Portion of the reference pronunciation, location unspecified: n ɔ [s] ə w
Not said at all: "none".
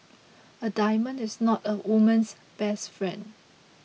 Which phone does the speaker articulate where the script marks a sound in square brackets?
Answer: t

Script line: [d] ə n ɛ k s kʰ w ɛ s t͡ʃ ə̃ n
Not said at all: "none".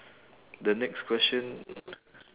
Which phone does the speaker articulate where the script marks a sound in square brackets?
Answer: d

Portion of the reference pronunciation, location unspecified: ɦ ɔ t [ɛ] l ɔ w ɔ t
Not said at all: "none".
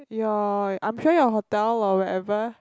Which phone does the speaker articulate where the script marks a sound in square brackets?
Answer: ɛ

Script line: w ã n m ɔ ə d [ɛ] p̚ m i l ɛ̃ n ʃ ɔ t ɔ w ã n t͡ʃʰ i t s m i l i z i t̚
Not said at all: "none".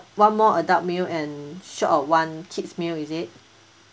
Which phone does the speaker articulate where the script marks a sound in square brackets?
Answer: a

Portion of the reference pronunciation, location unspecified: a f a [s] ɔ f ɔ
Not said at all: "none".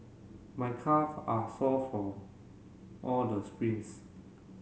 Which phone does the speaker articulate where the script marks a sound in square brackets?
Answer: s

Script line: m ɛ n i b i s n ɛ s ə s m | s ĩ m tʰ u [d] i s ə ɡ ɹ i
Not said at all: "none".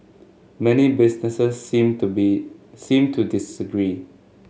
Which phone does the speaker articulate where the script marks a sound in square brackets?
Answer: d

